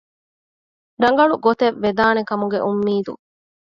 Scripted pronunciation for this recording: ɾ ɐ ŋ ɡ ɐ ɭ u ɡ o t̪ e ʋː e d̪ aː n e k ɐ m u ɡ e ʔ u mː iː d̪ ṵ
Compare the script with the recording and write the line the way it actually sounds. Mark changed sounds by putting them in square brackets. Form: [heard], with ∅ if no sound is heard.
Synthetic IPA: ɾ ɐ ŋ ɡ ɐ ɭ u ɡ o t̪ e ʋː e d̪ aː n e k ɐ m u ɡ e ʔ u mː iː d̪ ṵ